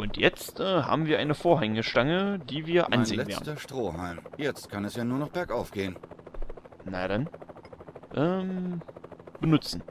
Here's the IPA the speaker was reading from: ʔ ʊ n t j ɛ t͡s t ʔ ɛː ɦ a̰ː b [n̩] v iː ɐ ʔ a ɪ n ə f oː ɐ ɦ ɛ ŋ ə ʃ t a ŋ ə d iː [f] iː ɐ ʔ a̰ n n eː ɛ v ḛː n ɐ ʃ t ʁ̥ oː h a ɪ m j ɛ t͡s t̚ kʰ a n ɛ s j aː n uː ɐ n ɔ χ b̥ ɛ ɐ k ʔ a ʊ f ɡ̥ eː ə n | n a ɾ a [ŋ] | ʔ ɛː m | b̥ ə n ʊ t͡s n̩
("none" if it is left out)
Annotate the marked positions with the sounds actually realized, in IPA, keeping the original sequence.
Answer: m̩, v, n

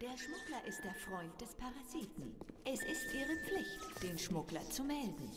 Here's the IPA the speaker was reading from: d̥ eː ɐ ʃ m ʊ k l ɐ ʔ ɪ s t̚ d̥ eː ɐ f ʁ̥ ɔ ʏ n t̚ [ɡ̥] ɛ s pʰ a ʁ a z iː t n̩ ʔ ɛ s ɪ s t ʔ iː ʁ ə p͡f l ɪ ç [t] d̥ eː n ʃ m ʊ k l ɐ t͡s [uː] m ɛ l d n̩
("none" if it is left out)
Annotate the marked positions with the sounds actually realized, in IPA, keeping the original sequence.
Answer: d̥, t, u

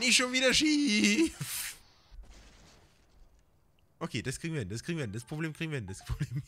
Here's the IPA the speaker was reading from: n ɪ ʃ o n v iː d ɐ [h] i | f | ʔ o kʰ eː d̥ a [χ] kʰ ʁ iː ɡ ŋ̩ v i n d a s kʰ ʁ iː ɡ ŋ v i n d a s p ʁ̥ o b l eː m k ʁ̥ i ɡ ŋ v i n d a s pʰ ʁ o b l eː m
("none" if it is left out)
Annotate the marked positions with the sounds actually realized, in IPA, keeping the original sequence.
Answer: ʃ, s

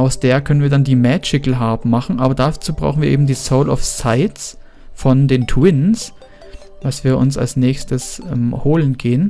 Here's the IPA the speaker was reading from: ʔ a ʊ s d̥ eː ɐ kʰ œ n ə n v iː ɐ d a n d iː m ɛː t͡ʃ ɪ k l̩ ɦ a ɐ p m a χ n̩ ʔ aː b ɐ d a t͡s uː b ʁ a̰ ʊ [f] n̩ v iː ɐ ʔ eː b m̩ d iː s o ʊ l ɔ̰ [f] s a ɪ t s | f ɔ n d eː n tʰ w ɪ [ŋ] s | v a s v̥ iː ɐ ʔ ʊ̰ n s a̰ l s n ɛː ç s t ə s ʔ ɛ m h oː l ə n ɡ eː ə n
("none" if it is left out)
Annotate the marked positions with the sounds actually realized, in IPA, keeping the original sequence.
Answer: x, f, n

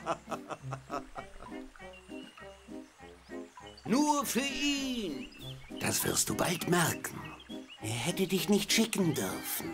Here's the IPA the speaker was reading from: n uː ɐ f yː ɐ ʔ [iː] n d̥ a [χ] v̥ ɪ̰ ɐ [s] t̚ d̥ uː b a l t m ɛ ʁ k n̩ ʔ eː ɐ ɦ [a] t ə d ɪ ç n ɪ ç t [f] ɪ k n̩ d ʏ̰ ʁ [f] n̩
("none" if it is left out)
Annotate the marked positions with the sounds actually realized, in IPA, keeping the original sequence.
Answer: iː, s, s, ɛ, ʃ, f

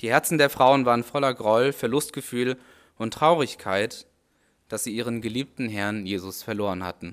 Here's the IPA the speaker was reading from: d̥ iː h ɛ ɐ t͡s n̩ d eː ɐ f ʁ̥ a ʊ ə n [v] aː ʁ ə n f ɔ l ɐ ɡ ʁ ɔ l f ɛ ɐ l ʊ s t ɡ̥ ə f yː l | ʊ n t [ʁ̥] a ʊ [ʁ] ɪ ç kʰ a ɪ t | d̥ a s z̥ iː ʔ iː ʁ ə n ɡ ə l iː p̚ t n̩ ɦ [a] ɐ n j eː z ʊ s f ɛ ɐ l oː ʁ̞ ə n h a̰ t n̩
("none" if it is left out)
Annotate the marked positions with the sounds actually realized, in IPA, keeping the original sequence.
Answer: v, ʁ̥, ʁ, ɛ

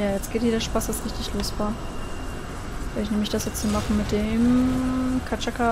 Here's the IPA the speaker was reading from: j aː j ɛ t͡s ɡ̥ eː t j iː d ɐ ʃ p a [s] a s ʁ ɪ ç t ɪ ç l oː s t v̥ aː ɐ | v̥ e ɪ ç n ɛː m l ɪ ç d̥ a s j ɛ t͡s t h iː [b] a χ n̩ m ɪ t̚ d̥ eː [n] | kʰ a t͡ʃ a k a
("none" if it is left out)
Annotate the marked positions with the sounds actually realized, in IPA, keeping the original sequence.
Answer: s, m, m

